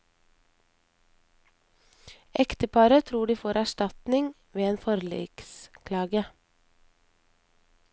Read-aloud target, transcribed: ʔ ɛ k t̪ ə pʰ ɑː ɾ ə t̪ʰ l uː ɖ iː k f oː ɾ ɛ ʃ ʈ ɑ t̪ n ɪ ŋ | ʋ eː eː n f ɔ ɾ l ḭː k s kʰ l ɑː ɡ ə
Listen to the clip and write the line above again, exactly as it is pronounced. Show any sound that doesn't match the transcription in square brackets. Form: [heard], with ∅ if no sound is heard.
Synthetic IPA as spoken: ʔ ɛ k t̪ ə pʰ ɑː ɾ ə t̪ʰ [ɾ] uː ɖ iː [∅] f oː ɾ [æ] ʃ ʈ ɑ t̪ n ɪ ŋ | ʋ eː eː n f ɔ ɾ l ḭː k s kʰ l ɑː ɡ ə